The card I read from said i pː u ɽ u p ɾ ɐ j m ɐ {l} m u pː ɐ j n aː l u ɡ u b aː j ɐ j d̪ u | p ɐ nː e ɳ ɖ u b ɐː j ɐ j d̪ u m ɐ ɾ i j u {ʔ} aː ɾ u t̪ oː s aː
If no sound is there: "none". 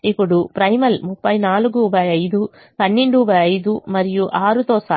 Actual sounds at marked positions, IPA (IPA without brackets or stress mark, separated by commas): l, ʔ